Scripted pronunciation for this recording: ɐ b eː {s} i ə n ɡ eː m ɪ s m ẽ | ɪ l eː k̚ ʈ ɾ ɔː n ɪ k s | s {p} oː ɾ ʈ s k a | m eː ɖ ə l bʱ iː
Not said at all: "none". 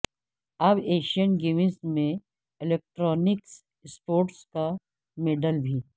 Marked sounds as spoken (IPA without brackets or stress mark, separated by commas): ʃ, p